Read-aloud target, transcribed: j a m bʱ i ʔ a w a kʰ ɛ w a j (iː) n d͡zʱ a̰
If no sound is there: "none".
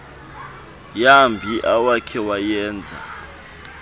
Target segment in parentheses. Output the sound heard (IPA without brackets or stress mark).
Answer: ɛː